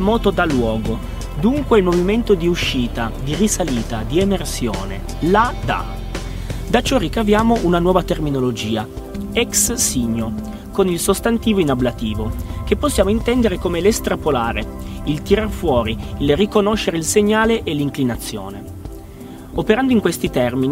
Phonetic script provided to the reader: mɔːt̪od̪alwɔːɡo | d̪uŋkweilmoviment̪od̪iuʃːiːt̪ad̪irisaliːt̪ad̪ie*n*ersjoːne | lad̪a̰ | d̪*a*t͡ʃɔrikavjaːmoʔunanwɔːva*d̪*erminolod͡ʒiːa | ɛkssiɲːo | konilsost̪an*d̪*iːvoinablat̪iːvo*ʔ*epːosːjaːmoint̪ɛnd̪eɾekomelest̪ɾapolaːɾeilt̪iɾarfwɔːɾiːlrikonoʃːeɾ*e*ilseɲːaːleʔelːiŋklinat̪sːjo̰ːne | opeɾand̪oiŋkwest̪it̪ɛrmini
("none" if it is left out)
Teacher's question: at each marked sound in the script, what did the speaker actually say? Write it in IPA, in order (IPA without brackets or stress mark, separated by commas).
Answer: m, a, t̪, t̪, k, e